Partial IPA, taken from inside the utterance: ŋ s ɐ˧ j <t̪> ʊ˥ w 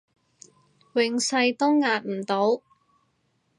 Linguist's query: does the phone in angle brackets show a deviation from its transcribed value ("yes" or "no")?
no